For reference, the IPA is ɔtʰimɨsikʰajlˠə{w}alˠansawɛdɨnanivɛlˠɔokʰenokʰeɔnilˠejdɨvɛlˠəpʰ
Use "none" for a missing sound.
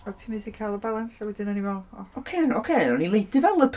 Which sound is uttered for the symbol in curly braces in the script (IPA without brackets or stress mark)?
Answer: b